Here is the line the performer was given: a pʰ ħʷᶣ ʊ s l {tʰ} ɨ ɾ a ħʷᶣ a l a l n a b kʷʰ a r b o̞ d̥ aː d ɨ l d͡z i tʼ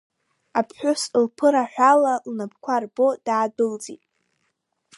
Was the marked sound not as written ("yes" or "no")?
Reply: yes